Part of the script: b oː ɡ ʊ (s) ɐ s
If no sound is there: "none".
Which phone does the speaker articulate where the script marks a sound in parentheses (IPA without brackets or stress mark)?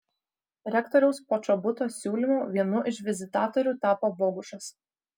ʃ